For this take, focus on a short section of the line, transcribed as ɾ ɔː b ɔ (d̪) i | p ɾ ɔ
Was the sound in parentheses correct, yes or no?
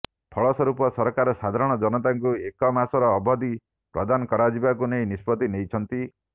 yes